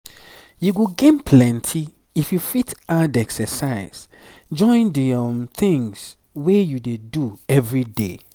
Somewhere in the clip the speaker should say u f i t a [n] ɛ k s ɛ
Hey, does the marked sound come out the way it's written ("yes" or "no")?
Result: no